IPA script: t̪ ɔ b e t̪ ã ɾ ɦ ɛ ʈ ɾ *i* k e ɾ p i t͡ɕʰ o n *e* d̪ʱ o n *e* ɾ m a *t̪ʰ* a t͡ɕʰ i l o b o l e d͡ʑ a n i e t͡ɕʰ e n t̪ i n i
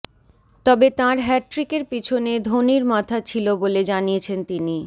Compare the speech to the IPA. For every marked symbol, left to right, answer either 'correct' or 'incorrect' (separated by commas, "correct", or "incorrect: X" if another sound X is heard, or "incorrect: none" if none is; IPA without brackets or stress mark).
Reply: correct, correct, incorrect: i, correct